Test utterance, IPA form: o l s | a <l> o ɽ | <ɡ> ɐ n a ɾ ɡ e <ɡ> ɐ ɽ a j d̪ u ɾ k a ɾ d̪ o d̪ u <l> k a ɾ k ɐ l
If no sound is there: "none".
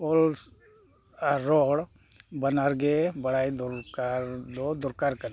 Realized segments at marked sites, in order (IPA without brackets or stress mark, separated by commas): ɾ, b, b, ɾ